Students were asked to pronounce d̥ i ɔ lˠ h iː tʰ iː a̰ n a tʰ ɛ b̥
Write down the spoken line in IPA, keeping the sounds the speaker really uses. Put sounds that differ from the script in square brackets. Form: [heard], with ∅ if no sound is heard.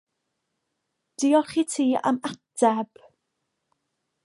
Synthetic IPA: d̥ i ɔ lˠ [χ] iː tʰ iː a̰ [m] a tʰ ɛ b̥